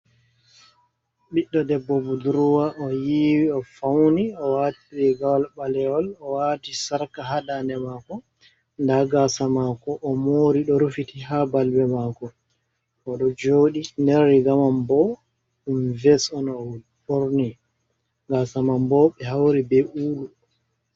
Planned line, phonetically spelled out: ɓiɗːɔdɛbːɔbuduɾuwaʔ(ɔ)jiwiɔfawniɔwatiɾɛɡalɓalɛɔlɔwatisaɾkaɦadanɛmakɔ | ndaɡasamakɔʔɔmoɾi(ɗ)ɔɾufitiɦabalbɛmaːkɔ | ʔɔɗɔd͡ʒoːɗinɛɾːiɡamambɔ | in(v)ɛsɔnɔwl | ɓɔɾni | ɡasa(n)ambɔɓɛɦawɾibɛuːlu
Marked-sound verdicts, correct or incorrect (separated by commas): correct, correct, correct, incorrect